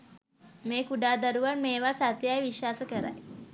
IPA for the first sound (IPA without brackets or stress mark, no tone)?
m